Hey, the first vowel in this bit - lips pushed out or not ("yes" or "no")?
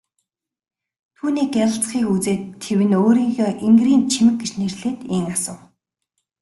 yes